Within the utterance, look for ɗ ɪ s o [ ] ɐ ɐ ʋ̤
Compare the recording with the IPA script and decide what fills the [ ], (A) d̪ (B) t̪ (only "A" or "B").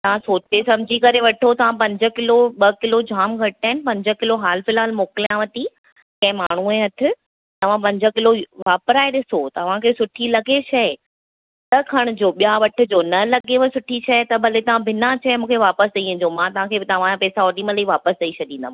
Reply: B